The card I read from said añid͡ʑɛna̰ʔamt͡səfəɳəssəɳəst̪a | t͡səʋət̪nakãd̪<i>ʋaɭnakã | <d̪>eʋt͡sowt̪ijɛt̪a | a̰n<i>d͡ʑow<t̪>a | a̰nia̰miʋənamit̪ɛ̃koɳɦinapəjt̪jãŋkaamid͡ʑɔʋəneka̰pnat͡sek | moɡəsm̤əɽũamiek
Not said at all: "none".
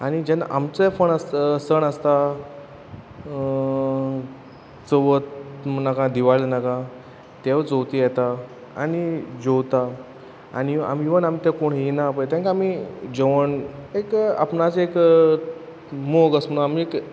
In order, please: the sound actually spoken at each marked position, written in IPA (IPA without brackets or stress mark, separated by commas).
i, t̪, i, t̪